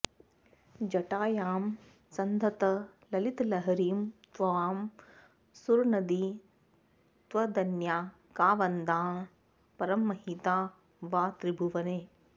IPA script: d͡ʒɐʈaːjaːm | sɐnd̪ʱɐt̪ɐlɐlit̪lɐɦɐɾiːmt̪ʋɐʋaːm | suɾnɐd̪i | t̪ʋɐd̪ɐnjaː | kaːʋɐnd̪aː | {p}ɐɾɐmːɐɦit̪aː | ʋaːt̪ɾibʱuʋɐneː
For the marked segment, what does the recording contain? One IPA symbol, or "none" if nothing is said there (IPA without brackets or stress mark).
p